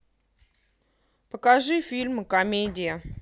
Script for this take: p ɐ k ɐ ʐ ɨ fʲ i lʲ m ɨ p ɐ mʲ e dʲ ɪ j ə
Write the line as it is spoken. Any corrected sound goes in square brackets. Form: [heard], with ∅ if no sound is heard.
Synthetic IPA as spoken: p [ə] k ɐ ʐ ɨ fʲ i lʲ m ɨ [k] ɐ mʲ e dʲ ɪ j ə